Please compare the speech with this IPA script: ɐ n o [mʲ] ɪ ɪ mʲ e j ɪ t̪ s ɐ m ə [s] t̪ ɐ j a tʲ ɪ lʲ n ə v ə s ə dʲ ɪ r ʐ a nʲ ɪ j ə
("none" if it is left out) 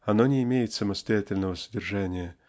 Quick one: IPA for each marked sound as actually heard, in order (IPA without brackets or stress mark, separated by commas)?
nʲ, s